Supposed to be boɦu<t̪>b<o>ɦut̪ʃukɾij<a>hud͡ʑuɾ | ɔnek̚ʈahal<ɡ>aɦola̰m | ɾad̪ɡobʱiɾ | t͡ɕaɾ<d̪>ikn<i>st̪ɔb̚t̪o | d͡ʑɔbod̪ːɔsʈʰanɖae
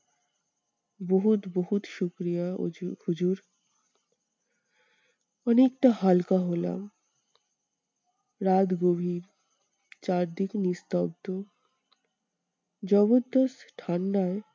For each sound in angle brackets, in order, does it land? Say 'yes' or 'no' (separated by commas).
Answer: yes, yes, yes, no, yes, yes